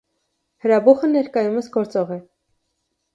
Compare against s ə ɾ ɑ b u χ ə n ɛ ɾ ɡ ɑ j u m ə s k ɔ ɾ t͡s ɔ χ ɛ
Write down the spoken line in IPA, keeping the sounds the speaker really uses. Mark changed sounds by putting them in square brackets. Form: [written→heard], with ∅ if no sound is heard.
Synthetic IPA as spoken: [s→h] ə ɾ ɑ b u χ ə n ɛ ɾ [ɡ→k] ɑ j u m ə s [k→ɡ] ɔ ɾ t͡s ɔ [χ→ʁ] ɛ